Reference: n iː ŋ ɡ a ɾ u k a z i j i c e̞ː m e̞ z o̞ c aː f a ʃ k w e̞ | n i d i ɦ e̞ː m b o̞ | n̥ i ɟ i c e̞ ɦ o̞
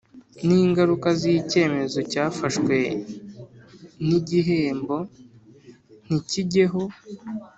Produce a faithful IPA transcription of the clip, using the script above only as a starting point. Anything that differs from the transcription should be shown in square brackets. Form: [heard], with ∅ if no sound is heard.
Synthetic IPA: n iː ŋ ɡ a ɾ u k a z i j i c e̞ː m e̞ z o̞ c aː f a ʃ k w e̞ | n i [ɟ] i ɦ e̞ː m b o̞ | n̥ i [c] i [ɟ] e̞ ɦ o̞